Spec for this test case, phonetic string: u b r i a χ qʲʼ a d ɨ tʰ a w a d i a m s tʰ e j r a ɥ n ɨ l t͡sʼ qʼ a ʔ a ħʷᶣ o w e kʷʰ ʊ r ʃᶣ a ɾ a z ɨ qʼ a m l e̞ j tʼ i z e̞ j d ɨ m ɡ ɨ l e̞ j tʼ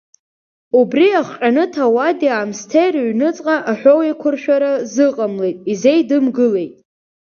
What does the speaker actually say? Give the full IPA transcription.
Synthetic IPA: u b r i a χ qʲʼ a n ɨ tʰ a w a d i a m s tʰ e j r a ɥ n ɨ t͡sʼ qʼ a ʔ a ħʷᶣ o w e kʷʰ ʊ r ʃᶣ a ɾ a z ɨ qʼ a m l e̞ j tʼ i z e̞ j d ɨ m ɡ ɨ l e̞ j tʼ

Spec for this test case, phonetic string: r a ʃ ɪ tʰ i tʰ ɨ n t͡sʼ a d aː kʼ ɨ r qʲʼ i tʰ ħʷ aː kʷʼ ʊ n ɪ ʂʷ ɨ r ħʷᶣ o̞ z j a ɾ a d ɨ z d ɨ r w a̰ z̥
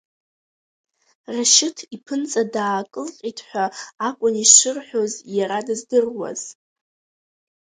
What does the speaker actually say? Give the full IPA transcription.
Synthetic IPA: r a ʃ ɪ tʰ i pʰ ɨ n t͡sʼ a d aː kʼ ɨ l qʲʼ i tʰ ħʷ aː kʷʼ ʊ n i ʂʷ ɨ r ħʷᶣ o̞ z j a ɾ a d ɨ z d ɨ r w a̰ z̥

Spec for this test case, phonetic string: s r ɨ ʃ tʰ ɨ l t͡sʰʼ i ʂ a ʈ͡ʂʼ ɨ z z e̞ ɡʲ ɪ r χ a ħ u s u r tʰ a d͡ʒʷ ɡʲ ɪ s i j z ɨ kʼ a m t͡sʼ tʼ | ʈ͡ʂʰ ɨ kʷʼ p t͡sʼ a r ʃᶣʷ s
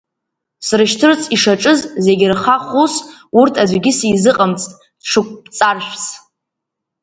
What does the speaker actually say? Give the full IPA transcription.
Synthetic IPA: s r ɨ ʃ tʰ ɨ r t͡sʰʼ i ʂ a ʈ͡ʂʼ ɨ z z e̞ ɡʲ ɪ r χ a χ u s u r tʰ a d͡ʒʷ ɡʲ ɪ s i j z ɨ qʼ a m t͡sʼ tʼ | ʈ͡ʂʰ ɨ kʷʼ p t͡sʼ a r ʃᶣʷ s

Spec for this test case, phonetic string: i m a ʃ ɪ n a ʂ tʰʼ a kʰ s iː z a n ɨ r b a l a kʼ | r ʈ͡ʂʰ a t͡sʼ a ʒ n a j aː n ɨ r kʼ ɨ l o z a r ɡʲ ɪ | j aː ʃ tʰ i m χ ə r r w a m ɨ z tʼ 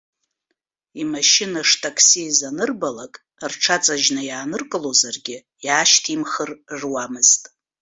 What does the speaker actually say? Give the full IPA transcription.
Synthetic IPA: i m a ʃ ɪ n a ʂ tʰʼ a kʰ s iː z a n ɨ r b a l a kʼ | r ʈ͡ʂʰ a t͡sʼ a ʒ n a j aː n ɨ r kʼ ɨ l o z a r ɡʲ ɪ | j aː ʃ tʰ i m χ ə r r w a m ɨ z tʼ

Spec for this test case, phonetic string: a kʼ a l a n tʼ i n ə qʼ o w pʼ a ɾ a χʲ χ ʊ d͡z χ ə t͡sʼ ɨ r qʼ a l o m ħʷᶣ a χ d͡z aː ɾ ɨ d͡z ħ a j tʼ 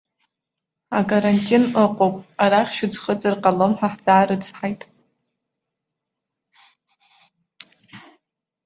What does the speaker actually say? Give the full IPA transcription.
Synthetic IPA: a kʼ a ɾ a n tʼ i n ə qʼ o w pʼ a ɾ a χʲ ʃ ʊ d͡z χ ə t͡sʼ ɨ r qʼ a l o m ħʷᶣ a ħ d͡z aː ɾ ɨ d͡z ħ a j tʼ

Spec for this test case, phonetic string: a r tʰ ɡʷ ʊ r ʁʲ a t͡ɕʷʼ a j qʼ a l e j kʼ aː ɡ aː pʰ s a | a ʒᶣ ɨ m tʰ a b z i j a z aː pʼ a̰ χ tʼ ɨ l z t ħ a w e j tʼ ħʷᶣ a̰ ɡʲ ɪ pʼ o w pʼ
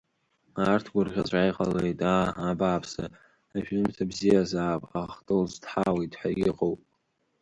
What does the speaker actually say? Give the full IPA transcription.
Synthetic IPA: a r tʰ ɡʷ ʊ r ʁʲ a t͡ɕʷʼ a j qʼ a l e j tʼ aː b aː pʰ s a | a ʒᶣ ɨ m tʰ a b z i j a z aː pʼ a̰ χ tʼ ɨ l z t ħ a w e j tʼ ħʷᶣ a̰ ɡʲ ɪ qʼ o w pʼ

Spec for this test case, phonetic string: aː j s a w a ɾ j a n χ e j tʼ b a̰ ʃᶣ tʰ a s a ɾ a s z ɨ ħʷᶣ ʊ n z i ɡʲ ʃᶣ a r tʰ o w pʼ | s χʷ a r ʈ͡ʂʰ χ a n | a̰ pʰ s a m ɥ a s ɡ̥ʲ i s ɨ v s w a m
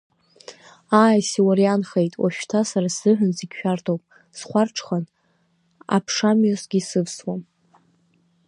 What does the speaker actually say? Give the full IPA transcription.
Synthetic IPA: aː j s i w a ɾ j a n χ e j tʼ w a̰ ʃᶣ tʰ a s a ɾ a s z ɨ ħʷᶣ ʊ n z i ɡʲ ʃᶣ a r tʰ o w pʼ | s χʷ a r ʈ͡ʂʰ χ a n | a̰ pʰ ʂ a m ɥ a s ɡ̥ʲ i s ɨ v s w a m

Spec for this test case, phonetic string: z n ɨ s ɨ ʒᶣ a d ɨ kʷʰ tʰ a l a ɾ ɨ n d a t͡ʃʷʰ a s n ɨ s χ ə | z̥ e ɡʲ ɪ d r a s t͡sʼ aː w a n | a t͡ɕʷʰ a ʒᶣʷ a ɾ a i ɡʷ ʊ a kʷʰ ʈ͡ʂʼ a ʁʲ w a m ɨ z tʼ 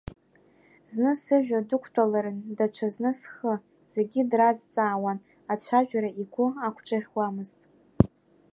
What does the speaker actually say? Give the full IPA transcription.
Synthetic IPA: z n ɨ s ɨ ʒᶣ a d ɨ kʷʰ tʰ a l a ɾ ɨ n d a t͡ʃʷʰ a z n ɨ s χ ə | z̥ e ɡʲ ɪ d r a z t͡sʼ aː w a n | a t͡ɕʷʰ a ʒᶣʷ a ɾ a i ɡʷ ʊ a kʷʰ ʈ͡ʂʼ a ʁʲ w a m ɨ z tʼ

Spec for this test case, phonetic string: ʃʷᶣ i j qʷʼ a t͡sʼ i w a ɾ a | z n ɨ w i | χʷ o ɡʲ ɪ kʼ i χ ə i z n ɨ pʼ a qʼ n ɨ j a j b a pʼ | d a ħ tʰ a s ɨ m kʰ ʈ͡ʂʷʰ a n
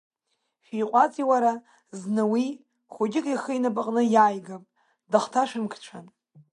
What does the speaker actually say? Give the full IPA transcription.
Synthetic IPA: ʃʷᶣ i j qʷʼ a t͡sʼ i w a ɾ a | z n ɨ w i | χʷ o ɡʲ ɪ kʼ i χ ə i n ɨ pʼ a qʼ n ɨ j a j ɡ a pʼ | d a χ tʰ a ʂ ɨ m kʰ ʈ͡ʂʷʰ a n

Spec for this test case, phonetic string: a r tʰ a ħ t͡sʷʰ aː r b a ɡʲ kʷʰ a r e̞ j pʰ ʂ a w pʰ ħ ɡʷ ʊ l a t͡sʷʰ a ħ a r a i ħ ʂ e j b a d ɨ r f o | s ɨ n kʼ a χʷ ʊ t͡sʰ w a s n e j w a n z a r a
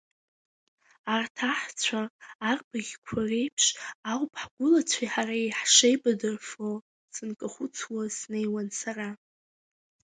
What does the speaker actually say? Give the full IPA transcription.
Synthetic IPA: a r tʰ a ħ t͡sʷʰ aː r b a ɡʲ kʷʰ a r e̞ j pʰ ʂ a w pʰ ħ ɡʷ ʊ l a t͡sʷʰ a ħ a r a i ħ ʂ e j b a d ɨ r f o | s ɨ n kʼ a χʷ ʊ t͡sʰ w a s n e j w a n s a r a

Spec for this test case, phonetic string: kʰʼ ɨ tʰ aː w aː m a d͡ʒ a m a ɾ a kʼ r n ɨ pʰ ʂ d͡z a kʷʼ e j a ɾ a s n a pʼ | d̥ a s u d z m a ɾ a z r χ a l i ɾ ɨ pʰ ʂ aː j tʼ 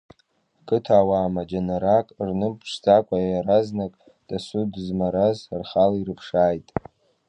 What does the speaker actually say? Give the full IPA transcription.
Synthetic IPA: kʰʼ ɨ tʰ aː w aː m a d͡ʒ a n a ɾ a kʼ r n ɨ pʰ ʂ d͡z a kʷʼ a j a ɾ a z n a kʼ | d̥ a s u d z m a ɾ a z r χ a l i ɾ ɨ pʰ ʂ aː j tʼ

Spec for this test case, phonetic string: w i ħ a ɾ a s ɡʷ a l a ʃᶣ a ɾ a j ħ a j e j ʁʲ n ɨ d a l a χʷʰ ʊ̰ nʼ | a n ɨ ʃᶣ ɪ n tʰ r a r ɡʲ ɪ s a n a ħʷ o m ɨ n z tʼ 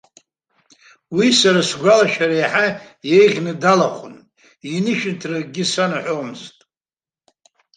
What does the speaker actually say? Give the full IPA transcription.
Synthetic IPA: w i s a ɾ a s ɡʷ a l a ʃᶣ a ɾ a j ħ a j e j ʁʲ n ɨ d a l a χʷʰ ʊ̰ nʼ | i n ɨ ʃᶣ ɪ n tʰ r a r ɡʲ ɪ s a n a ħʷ o m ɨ z tʼ

